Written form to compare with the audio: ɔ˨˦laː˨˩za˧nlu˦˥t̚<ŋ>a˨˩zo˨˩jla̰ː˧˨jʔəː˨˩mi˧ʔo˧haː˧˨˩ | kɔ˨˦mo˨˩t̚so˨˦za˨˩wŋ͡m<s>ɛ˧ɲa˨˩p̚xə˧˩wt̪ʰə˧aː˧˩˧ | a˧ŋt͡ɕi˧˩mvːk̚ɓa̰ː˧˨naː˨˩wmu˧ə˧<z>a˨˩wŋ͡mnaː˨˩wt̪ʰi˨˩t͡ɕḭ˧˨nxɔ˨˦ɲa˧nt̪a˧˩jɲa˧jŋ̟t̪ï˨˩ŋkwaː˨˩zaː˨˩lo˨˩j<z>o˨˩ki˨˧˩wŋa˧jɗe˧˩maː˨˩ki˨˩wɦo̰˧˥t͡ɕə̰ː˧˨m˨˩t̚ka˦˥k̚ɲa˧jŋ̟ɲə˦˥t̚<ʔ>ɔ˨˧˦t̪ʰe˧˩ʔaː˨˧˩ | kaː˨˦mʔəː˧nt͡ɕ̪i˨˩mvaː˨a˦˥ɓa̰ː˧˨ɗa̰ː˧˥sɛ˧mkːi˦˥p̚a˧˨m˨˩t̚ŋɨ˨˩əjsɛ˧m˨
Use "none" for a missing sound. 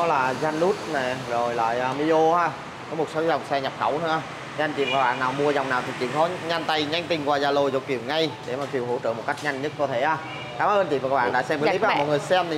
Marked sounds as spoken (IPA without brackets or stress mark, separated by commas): n, s, z, z, k